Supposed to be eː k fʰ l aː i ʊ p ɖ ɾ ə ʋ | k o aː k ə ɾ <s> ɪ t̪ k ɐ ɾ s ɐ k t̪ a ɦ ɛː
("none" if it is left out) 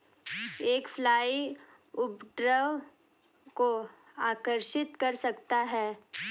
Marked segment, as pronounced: ʃ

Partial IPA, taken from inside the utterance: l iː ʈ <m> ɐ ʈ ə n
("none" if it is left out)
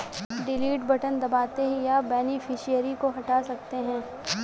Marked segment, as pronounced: b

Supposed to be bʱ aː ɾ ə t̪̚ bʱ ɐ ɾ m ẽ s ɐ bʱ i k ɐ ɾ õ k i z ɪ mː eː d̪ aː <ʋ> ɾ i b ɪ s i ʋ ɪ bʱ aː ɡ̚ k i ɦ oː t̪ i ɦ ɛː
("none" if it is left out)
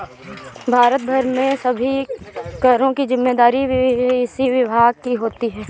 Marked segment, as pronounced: none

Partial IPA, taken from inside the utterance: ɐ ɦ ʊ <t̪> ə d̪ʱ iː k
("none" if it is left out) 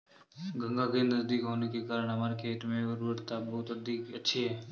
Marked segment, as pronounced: t̪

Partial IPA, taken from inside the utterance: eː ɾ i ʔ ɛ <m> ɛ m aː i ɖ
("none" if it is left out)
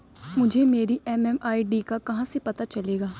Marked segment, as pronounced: m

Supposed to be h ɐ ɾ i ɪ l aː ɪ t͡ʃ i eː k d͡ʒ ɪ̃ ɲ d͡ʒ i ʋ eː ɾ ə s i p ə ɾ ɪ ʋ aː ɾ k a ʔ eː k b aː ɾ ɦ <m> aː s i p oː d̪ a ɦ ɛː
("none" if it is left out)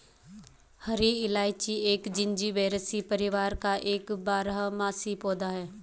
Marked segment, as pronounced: m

